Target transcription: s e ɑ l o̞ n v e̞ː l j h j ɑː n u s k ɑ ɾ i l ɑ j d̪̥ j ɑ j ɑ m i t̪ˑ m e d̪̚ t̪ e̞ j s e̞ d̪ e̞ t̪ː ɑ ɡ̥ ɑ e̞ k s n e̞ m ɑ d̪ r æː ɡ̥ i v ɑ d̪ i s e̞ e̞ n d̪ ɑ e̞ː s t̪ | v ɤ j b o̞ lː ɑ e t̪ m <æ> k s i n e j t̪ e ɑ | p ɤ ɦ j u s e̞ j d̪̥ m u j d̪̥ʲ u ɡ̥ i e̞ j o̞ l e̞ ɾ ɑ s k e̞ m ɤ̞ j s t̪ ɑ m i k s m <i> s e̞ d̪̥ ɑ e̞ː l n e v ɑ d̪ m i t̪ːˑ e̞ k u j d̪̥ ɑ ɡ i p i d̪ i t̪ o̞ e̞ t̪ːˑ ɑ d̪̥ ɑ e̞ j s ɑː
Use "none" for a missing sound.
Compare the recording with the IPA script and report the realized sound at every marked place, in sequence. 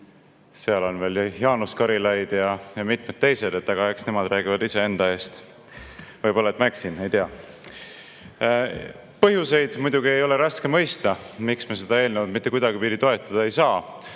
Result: æ, e

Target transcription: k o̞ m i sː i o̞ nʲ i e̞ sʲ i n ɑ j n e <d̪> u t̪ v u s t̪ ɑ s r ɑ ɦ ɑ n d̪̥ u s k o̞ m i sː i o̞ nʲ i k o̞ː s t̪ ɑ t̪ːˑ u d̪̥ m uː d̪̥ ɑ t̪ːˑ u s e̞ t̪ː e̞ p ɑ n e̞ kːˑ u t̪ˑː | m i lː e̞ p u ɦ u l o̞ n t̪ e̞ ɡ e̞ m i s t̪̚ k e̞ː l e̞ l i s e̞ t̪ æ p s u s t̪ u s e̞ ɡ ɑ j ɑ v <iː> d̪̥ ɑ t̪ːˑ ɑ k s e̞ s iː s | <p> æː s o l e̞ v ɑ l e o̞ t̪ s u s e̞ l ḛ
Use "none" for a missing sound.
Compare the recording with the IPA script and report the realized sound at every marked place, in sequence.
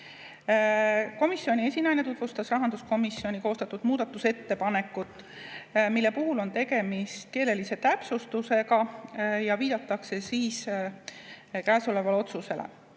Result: t̪, iː, k

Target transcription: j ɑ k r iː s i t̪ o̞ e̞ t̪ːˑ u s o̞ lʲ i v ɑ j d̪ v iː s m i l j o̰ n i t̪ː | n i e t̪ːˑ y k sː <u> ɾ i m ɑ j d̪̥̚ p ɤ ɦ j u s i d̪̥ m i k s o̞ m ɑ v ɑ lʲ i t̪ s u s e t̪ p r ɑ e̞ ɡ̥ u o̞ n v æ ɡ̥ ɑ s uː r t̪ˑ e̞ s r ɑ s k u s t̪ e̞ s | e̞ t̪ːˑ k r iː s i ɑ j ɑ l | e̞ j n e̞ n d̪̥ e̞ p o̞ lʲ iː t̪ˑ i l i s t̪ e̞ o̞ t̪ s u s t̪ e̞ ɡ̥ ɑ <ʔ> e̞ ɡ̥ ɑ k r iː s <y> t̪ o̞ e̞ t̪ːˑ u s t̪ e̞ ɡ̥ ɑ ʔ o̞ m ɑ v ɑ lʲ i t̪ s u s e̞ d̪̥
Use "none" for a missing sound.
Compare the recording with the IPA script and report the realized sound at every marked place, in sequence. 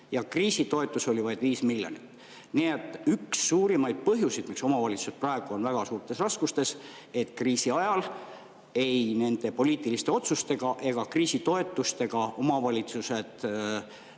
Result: uː, ʔ, i

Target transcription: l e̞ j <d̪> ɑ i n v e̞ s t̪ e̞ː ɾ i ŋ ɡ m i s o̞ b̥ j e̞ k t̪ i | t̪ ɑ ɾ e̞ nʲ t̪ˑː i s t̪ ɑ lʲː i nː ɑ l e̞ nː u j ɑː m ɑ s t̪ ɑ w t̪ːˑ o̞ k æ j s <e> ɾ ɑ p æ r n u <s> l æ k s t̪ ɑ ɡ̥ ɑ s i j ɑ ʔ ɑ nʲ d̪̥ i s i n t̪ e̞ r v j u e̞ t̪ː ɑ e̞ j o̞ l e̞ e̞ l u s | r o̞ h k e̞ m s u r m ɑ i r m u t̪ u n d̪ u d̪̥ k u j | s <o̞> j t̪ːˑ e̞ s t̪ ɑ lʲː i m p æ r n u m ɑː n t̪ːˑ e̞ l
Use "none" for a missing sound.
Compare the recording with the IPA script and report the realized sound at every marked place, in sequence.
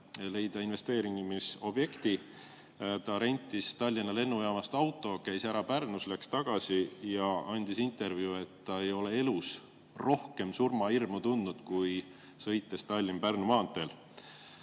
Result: d̪, æ, s, ɤ̞

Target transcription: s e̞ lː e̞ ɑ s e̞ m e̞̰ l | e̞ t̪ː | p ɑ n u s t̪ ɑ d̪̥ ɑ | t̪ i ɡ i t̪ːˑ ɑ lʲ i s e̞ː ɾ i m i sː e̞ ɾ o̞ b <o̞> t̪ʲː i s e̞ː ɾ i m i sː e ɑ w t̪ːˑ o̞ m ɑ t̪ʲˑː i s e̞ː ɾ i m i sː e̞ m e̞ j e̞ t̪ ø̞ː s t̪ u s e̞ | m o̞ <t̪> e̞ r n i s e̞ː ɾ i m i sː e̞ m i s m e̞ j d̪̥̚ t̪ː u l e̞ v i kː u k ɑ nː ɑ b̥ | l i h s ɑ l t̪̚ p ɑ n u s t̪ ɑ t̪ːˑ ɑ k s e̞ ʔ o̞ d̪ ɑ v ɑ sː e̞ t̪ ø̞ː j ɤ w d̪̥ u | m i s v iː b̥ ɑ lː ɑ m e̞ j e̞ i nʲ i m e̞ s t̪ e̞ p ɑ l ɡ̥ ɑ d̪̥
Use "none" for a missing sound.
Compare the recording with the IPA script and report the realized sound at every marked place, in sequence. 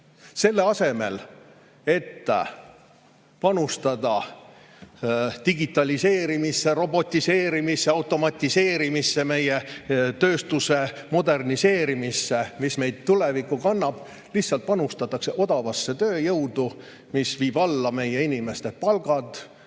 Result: o̞, d̪

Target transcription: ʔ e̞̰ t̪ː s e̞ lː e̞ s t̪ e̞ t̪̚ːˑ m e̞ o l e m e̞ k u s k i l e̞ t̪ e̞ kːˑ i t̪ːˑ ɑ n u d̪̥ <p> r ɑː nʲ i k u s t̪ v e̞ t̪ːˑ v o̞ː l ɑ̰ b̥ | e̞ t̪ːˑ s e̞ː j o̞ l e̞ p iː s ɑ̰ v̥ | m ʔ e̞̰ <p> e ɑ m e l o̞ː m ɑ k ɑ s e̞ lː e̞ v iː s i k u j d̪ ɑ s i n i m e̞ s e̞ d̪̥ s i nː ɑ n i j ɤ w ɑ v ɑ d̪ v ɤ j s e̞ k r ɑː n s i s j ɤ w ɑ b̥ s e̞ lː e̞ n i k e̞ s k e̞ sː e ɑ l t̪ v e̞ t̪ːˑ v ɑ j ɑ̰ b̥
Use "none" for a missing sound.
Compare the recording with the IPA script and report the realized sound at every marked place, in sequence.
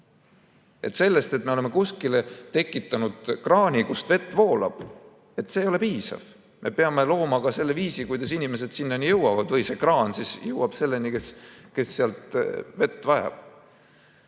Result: k, p

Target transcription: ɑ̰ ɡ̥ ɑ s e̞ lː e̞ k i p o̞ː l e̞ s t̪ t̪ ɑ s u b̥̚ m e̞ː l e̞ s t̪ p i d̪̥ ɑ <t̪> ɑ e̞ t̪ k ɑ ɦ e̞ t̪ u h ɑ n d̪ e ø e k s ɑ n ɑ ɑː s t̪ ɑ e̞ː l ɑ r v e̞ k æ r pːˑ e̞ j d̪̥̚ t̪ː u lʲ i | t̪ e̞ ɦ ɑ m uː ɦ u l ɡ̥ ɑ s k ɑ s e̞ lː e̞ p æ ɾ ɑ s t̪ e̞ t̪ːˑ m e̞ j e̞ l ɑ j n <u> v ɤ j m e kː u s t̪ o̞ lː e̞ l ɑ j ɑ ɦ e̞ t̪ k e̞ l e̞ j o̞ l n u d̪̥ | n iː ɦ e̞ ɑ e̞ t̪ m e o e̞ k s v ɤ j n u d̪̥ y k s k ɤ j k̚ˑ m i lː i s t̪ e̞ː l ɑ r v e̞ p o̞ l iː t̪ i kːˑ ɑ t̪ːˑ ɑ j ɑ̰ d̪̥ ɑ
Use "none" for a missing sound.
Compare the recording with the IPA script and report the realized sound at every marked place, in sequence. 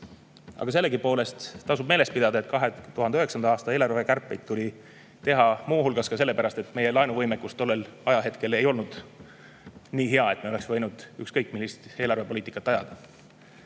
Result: d̪, u

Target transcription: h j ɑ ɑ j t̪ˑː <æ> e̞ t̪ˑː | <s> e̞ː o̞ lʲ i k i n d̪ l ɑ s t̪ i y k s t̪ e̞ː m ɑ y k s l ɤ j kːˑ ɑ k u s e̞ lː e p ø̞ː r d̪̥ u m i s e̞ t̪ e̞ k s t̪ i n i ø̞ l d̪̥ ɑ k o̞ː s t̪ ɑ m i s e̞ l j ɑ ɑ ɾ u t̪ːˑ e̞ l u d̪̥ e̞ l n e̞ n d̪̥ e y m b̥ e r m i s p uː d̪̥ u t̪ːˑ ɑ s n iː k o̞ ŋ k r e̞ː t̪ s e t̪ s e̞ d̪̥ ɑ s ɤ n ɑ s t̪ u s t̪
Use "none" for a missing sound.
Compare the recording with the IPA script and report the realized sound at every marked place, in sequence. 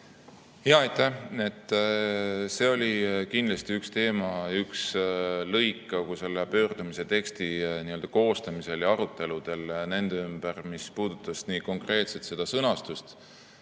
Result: æ, s

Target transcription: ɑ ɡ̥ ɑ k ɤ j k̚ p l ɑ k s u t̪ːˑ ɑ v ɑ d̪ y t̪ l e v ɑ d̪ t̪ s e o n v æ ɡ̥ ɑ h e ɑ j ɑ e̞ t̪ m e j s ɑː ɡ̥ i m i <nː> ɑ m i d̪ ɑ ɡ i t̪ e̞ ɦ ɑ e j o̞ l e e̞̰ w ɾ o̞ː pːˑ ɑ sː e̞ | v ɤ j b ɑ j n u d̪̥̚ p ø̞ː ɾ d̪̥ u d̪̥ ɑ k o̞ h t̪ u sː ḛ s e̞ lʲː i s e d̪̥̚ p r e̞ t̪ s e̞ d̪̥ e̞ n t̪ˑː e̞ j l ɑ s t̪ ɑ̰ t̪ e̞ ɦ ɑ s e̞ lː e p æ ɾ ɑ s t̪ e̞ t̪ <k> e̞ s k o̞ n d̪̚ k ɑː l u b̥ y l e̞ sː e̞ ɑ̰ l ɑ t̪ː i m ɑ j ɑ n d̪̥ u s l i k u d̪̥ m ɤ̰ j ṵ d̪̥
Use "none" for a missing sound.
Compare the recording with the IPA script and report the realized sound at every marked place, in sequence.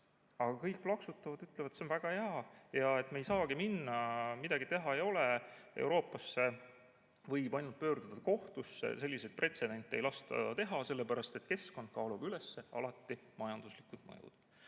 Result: nː, k

